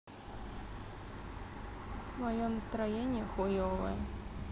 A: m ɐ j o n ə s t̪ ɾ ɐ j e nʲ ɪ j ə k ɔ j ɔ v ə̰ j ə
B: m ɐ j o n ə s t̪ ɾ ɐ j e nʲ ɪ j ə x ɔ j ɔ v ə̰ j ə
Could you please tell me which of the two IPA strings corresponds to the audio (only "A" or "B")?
B